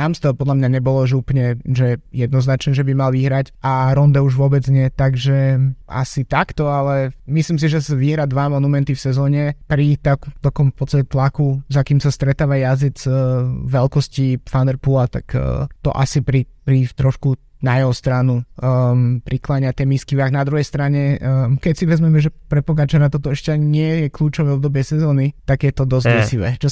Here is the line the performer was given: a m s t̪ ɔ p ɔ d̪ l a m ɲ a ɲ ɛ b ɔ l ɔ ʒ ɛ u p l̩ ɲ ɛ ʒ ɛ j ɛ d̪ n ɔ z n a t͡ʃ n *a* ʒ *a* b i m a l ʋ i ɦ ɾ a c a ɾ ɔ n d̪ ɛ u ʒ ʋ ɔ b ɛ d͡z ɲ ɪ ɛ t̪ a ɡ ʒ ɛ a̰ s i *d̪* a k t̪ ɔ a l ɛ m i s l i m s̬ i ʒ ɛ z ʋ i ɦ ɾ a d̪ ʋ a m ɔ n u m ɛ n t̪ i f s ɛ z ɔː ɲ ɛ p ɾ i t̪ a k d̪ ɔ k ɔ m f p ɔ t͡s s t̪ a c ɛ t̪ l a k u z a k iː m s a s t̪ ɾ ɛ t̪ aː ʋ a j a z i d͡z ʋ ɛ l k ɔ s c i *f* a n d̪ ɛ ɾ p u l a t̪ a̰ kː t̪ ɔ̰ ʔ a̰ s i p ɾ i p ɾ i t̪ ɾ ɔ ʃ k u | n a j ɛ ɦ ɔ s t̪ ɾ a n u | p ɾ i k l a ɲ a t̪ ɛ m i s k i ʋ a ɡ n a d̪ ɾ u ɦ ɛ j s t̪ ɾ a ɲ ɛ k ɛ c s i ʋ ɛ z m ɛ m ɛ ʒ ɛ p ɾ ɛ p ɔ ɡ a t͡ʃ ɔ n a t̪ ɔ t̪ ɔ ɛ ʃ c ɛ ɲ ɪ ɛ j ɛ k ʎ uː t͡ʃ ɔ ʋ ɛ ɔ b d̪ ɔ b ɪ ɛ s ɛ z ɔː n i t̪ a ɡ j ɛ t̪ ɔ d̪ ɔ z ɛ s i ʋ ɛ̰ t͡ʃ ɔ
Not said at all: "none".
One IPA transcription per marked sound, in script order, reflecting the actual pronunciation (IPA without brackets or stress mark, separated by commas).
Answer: ɛ, ɛ, t̪, f